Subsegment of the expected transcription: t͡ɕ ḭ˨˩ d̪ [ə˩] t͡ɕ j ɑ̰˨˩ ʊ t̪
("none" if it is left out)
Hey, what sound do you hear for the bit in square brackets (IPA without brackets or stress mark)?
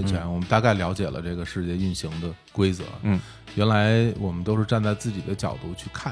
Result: ə˦